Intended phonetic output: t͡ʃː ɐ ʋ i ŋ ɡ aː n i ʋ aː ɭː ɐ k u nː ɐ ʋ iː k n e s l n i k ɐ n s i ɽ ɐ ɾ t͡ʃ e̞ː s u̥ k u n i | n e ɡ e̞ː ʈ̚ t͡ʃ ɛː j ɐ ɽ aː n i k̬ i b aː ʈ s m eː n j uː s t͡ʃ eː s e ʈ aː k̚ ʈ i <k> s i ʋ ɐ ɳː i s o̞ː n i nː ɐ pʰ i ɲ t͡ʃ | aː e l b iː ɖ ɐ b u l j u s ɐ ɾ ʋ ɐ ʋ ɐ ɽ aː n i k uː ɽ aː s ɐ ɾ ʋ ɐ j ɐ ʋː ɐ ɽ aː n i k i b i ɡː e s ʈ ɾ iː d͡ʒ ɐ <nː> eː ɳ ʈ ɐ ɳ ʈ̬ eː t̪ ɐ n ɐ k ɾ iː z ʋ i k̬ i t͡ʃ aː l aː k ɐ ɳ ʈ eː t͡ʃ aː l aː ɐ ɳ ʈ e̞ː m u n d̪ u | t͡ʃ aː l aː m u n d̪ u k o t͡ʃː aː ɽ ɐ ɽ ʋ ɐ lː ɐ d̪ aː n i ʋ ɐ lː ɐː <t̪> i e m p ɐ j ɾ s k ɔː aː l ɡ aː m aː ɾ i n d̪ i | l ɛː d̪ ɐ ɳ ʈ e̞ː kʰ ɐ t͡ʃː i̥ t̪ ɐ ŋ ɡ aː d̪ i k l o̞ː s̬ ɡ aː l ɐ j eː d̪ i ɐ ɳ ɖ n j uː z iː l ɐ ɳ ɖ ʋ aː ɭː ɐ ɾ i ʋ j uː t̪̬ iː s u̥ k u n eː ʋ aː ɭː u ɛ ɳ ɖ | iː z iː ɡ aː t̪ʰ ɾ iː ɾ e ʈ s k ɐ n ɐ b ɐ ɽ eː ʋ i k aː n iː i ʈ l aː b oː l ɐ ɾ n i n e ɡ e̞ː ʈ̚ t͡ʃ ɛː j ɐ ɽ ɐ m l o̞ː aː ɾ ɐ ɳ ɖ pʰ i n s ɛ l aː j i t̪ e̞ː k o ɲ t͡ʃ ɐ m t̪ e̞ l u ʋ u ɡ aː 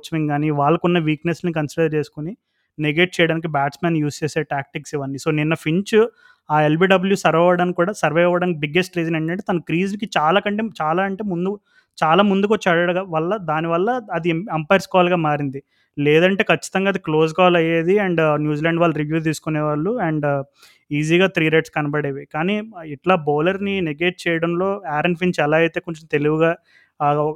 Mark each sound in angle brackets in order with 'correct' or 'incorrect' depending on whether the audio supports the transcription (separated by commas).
correct, incorrect, incorrect